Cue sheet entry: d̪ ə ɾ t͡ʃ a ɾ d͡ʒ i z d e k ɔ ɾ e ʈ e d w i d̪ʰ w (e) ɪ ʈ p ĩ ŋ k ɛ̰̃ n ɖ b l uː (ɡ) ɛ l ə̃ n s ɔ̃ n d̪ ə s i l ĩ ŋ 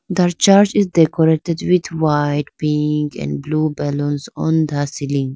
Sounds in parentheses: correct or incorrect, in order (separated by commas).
incorrect, incorrect